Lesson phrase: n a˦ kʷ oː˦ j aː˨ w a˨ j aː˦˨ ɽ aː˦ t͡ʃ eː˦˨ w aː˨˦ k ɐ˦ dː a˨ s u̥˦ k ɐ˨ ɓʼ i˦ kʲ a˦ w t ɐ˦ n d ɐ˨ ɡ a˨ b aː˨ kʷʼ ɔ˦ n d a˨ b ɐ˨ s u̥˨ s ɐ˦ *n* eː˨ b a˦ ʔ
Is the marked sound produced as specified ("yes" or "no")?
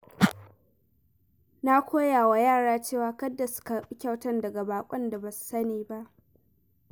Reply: yes